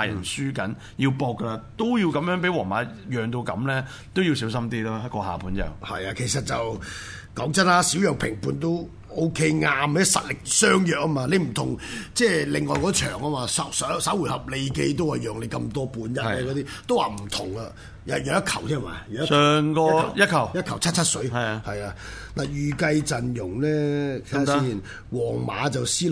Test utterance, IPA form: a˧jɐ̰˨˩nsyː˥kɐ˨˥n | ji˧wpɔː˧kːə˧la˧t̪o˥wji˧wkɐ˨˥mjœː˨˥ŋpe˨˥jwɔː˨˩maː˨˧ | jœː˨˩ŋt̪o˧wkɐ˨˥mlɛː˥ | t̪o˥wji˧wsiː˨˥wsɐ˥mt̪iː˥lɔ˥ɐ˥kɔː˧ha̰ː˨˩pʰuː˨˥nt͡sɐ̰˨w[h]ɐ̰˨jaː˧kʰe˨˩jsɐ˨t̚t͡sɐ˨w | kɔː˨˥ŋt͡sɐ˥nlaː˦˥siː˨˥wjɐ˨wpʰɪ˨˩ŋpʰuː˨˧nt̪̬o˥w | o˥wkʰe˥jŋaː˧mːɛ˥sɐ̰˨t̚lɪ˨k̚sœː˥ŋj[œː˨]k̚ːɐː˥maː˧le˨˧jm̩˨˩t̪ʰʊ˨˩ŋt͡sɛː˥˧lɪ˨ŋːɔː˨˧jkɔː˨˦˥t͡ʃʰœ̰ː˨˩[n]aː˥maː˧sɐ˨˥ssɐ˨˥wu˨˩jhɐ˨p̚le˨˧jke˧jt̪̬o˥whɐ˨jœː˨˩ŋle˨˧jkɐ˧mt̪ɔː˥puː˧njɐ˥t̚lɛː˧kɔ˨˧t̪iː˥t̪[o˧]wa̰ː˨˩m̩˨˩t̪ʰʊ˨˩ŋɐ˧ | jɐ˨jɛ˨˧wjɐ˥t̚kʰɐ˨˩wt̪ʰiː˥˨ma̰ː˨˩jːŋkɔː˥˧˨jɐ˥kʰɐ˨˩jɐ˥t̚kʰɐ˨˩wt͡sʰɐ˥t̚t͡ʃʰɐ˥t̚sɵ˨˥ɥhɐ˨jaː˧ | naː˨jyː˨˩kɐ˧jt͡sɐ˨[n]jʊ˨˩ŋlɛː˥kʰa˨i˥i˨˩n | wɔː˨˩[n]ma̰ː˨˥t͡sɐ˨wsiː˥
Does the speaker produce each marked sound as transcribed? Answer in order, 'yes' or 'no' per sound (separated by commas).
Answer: yes, yes, no, no, yes, no